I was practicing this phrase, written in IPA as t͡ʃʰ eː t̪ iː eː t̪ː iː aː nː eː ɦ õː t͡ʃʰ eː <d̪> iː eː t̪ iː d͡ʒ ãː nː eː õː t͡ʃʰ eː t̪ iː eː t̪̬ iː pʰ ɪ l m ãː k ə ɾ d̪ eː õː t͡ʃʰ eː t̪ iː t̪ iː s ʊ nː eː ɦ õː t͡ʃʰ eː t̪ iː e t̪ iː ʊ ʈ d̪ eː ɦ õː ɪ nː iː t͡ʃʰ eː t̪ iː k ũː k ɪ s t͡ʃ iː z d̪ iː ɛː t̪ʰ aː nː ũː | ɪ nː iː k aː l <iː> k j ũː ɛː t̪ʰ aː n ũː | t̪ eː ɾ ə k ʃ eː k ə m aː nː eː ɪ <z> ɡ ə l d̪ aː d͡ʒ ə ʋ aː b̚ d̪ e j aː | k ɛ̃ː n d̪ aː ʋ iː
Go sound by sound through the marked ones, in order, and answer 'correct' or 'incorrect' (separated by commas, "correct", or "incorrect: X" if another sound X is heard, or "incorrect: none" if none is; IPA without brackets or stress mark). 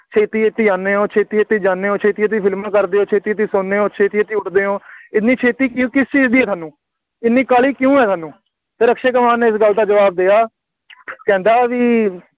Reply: incorrect: t̪, correct, incorrect: s